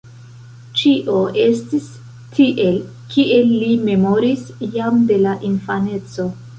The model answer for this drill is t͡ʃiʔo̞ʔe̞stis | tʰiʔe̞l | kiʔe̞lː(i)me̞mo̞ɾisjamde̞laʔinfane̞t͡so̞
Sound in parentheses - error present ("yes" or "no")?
no